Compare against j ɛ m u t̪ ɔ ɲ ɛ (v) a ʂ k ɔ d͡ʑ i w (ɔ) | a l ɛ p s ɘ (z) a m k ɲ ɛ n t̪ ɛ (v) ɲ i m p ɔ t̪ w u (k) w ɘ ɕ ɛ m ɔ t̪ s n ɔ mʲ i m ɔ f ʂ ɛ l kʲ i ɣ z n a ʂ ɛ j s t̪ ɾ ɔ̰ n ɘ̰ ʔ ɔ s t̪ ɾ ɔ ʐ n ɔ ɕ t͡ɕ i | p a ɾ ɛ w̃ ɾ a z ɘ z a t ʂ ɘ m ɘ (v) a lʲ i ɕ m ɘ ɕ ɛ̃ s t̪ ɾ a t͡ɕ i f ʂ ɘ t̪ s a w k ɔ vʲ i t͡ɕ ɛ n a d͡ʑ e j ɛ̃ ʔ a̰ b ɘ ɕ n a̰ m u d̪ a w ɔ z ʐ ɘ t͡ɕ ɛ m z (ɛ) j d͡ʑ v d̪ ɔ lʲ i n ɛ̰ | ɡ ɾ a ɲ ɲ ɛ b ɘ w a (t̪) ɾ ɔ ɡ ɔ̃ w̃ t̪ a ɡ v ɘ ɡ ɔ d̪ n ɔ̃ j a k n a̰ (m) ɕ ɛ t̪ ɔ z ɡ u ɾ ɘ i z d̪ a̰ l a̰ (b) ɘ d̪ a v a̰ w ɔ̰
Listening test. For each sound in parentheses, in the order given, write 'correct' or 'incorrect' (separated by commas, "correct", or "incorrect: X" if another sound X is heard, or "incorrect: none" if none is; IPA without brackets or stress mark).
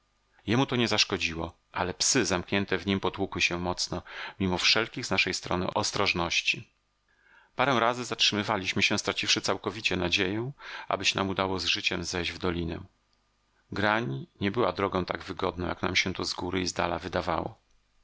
incorrect: z, correct, correct, correct, correct, correct, correct, incorrect: d̪, correct, incorrect: v